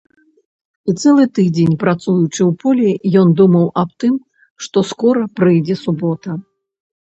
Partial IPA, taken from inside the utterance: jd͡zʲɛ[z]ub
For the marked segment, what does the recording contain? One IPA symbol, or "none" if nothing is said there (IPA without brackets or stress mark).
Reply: s